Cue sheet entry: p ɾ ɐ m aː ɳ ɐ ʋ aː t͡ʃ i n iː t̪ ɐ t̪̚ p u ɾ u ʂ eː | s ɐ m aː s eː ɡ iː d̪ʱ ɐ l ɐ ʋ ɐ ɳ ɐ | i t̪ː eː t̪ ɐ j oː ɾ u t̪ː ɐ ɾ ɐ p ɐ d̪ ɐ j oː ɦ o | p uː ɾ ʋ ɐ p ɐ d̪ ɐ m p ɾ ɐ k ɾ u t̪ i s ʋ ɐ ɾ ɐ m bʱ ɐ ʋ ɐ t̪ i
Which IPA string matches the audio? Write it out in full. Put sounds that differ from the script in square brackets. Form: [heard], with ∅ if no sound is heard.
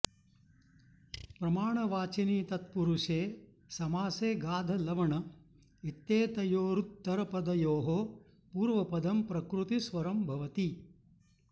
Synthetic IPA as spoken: p ɾ ɐ m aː ɳ ɐ ʋ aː t͡ʃ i n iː t̪ ɐ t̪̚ p u ɾ u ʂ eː | s ɐ m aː s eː ɡ [aː] d̪ʱ ɐ l ɐ ʋ ɐ ɳ ɐ | i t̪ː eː t̪ ɐ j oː ɾ u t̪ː ɐ ɾ ɐ p ɐ d̪ ɐ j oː ɦ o | p uː ɾ ʋ ɐ p ɐ d̪ ɐ m p ɾ ɐ k ɾ u t̪ i s ʋ ɐ ɾ ɐ m bʱ ɐ ʋ ɐ t̪ i